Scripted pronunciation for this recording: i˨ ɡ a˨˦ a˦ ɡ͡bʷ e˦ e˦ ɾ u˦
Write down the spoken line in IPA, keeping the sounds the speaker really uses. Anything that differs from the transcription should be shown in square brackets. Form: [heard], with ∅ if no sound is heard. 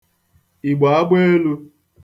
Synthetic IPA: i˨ [ɡ͡b] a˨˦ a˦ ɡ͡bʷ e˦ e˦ [l] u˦